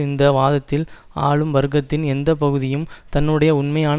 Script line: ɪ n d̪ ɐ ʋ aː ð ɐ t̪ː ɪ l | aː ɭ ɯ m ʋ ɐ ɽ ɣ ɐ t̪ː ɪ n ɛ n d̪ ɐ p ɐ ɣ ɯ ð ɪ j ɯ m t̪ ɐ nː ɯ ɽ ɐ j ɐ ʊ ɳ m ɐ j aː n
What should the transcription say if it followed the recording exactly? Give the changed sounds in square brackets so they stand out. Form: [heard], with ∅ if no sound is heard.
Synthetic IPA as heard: ɪ n d̪ ɐ ʋ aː ð ɐ t̪ː ɪ l | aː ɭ ɯ m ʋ ɐ [ɾ] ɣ ɐ t̪ː ɪ n ɛ n d̪ ɐ p ɐ ɣ ɯ ð ɪ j ɯ m t̪ ɐ nː ɯ ɽ ɐ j ɐ ʊ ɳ m ɐ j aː n